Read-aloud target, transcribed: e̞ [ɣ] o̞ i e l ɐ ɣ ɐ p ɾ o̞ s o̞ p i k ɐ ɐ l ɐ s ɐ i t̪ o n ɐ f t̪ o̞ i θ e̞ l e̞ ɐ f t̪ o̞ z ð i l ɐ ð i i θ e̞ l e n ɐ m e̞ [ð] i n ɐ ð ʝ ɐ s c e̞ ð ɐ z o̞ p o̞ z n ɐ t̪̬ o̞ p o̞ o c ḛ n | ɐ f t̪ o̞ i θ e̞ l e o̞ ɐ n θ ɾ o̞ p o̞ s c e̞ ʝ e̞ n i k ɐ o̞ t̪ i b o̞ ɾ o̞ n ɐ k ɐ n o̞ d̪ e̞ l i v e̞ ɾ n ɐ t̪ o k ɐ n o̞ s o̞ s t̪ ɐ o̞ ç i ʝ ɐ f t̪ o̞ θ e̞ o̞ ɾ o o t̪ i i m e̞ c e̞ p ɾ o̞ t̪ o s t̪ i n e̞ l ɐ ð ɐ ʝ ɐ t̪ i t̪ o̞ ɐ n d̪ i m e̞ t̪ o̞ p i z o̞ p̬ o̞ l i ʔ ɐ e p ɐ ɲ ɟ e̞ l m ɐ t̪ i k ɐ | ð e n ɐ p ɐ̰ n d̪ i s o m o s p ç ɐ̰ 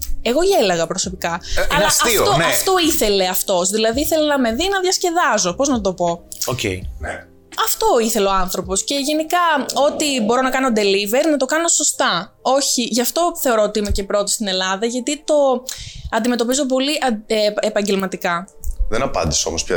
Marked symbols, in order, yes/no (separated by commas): yes, yes